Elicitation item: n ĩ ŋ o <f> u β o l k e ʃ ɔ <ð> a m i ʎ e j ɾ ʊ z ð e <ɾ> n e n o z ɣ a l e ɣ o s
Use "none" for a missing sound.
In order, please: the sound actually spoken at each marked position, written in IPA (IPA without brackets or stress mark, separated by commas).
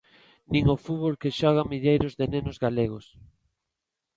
f, ɣ, none